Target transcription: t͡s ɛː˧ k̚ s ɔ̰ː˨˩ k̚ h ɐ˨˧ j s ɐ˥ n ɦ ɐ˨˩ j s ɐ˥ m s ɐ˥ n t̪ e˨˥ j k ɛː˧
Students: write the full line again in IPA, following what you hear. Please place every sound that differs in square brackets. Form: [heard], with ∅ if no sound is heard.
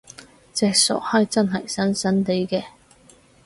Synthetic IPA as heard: t͡s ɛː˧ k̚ s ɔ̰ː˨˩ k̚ h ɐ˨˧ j [t͡s] ɐ˥ n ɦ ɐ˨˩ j s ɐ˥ [n] s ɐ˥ n t̪ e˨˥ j k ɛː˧